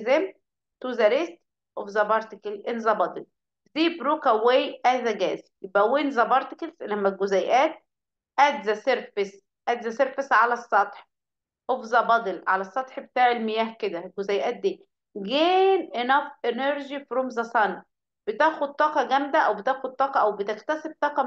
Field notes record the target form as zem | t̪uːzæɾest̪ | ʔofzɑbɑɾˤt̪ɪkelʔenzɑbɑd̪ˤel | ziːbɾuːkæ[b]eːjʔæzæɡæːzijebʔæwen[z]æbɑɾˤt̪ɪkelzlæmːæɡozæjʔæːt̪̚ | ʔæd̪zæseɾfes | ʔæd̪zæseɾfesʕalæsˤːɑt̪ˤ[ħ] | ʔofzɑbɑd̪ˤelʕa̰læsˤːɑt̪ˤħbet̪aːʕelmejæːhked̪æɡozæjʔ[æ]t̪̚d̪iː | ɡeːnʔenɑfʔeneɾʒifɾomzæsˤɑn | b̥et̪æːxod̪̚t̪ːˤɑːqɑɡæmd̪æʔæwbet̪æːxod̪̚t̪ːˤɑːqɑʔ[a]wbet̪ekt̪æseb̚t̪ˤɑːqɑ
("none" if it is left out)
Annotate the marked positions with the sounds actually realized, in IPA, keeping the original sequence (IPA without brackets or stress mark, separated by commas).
w, z, ħ, æː, æ